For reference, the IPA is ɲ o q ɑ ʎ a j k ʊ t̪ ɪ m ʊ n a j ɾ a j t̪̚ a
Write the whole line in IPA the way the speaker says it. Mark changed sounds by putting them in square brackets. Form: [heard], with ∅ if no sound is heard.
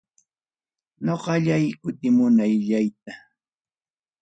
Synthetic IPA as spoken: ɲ o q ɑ ʎ a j k ʊ t̪ ɪ m ʊ n a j [ʎ] a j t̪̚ a